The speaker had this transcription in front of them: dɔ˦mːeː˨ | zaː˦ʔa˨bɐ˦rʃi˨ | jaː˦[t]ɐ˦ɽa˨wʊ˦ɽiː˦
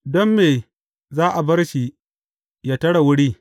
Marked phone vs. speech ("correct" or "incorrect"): correct